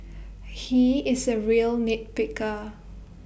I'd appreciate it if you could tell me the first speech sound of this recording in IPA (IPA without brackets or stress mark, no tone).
h